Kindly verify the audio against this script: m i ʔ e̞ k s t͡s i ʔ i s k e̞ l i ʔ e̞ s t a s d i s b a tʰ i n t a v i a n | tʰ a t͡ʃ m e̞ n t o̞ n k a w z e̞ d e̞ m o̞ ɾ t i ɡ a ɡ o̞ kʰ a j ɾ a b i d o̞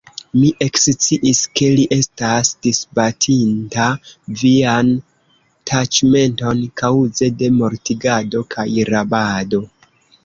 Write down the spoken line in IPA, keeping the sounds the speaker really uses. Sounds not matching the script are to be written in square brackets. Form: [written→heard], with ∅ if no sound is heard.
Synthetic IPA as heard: m i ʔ e̞ k s t͡s i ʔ i s k e̞ l i ʔ e̞ s t a s d i s b a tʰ i n t a v i a n | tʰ a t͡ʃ m e̞ n t o̞ n k a w z e̞ d e̞ m o̞ ɾ t i ɡ a [ɡ→d] o̞ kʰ a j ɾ a b [i→a] d o̞